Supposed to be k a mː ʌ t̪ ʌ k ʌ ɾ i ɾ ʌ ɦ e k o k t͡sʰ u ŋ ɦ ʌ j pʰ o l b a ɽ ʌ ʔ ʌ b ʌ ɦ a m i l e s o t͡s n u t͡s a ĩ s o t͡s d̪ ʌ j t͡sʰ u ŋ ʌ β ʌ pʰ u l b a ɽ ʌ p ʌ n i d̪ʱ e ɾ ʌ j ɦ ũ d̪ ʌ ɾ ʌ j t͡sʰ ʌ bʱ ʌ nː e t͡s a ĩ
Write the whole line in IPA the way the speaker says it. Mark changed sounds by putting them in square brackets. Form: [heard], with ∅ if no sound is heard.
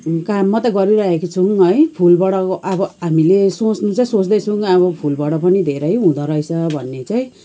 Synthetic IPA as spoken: k a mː ʌ t̪ ʌ [ɡ] ʌ ɾ i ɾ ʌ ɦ e k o [∅] t͡sʰ u ŋ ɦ ʌ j pʰ [u] l b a ɽ ʌ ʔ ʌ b ʌ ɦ a m i l e s o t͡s n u t͡s a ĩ s o t͡s d̪ ʌ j t͡sʰ u ŋ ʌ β ʌ pʰ u l b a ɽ ʌ p ʌ n i d̪ʱ e ɾ ʌ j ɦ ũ d̪ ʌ ɾ ʌ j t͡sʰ ʌ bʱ ʌ nː e t͡s a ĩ